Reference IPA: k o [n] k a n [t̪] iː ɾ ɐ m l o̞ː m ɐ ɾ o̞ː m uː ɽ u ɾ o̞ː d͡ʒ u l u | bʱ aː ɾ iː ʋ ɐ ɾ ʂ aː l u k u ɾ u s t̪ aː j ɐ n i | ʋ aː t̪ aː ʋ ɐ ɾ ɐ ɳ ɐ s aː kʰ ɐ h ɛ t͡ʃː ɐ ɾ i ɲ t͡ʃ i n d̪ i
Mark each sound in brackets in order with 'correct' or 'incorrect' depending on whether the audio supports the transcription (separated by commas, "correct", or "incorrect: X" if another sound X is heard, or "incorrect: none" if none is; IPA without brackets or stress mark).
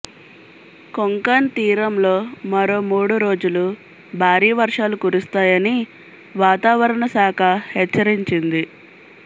incorrect: ŋ, correct